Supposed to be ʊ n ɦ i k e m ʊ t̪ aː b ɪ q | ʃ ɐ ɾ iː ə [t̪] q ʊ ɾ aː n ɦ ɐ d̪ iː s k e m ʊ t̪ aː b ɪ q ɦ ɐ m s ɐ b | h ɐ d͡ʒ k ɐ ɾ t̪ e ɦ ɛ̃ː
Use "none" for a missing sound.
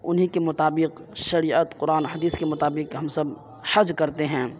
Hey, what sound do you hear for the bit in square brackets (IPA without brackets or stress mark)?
t̪